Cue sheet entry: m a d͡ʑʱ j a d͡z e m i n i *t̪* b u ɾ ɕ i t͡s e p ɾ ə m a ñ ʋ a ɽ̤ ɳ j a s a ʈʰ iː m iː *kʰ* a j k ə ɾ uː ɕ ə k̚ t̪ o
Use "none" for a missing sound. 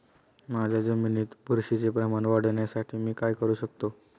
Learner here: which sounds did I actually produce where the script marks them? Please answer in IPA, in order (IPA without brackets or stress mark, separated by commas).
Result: t̪, k